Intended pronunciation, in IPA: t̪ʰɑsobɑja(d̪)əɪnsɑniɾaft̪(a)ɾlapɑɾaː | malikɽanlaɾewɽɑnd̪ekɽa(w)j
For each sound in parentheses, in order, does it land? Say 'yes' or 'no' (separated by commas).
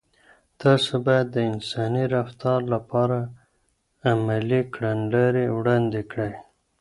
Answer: no, no, no